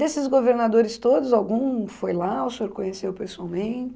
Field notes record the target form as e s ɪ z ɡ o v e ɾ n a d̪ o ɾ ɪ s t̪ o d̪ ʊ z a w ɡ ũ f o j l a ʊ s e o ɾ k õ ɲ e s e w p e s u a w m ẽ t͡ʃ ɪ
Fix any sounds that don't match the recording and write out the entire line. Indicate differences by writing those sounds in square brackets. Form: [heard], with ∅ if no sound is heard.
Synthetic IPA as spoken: e s ɪ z ɡ o v e ɾ n a d̪ o ɾ ɪ s t̪ o d̪ ʊ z a w ɡ ũ f o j l a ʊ s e o ɾ k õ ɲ e s e w p e s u a w m ẽ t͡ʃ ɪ